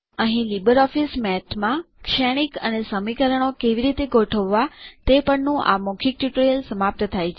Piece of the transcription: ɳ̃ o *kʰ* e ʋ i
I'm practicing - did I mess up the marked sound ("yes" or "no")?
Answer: yes